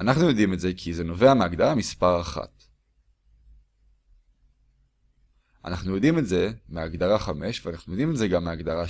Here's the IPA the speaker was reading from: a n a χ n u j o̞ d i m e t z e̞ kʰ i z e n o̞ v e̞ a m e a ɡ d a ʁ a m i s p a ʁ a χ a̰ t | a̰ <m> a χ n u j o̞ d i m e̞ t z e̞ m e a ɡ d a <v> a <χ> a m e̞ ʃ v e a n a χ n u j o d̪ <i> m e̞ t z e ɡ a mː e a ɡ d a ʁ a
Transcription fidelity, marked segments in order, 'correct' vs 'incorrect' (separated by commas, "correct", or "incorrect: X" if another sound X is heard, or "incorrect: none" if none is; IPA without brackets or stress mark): incorrect: n, incorrect: ʁ, correct, correct